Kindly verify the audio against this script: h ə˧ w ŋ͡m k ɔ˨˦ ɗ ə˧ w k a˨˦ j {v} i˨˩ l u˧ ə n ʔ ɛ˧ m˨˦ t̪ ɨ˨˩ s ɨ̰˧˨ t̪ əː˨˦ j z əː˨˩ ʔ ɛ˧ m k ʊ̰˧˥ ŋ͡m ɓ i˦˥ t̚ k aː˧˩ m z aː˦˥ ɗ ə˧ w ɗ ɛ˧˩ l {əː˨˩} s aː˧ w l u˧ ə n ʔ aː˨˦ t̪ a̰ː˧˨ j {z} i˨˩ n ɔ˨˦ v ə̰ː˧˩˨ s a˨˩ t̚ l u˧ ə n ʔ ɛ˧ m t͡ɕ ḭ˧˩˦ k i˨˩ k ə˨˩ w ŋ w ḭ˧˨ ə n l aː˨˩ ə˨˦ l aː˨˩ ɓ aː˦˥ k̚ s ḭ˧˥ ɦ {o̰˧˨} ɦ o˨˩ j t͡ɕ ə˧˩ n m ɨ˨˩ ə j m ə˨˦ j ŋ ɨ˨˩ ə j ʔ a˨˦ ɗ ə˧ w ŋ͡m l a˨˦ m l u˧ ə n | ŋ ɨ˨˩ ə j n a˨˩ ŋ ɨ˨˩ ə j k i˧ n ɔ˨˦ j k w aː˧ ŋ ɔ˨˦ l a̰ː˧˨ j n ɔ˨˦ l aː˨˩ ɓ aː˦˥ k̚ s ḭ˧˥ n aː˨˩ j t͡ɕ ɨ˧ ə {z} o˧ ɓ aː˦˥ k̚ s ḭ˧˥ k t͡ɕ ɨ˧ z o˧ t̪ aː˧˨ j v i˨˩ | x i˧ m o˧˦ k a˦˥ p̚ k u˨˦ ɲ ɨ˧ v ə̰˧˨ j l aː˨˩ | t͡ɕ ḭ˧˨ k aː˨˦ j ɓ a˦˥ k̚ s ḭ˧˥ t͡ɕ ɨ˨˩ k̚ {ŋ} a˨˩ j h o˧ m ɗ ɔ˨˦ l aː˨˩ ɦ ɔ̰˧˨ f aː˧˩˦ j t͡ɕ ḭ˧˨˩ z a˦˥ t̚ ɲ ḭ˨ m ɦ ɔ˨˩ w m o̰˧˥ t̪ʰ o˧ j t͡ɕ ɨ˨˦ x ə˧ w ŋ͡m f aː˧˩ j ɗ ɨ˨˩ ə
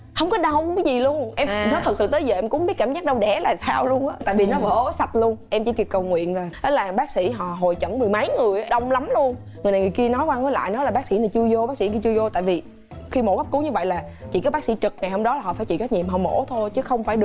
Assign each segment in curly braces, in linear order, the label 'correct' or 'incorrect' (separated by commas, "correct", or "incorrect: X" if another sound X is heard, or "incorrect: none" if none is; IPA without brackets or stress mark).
incorrect: z, incorrect: aː˨˩, incorrect: v, incorrect: ɔ̰˧˨, correct, correct